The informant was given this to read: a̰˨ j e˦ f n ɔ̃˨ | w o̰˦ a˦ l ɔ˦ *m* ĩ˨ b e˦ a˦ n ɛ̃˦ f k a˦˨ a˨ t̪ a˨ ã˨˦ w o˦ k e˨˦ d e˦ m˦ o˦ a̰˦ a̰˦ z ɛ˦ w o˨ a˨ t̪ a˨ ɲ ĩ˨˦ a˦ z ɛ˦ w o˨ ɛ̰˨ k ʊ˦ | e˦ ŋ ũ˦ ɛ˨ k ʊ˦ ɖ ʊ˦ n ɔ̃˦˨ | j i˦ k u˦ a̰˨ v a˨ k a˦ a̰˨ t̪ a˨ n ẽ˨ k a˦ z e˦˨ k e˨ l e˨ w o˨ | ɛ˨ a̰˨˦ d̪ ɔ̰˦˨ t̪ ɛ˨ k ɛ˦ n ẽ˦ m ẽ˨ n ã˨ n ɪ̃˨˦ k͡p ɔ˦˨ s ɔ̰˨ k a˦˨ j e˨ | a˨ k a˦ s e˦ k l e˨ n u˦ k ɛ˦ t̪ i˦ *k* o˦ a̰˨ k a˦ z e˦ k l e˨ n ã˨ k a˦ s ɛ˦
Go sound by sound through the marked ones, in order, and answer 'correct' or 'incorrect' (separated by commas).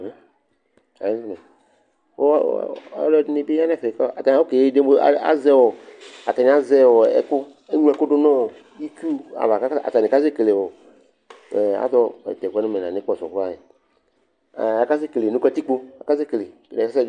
incorrect, incorrect